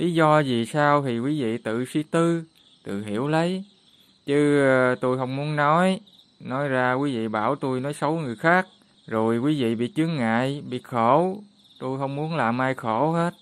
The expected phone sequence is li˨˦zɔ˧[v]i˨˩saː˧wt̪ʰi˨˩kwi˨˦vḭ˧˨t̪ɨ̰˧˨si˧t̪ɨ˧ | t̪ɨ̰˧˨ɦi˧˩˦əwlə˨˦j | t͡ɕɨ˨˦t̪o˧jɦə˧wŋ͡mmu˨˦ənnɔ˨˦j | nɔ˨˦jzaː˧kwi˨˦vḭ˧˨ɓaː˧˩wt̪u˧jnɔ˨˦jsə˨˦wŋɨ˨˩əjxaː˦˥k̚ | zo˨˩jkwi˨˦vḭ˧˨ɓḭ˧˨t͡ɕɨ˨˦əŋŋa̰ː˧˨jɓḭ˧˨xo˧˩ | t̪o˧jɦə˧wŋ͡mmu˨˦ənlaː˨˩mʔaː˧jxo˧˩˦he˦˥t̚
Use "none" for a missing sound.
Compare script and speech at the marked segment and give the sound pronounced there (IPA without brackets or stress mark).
z